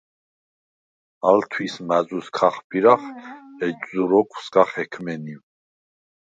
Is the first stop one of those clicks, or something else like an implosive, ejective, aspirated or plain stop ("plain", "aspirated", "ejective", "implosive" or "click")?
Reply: aspirated